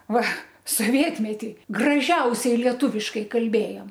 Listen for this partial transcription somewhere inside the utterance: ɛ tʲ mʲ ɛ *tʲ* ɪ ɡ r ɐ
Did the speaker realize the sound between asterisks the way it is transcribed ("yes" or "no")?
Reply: yes